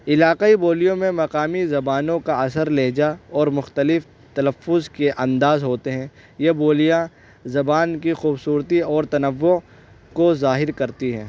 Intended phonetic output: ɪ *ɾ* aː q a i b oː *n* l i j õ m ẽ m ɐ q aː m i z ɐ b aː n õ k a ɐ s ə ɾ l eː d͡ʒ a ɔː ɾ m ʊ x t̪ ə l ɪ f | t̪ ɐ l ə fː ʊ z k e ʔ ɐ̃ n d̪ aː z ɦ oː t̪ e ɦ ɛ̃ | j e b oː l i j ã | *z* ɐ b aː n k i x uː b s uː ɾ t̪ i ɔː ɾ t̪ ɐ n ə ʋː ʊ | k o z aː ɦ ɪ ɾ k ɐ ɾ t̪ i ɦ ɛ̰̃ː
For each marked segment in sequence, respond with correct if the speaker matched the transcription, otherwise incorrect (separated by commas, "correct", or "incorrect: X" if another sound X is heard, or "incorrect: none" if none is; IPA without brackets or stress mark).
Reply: incorrect: l, incorrect: none, correct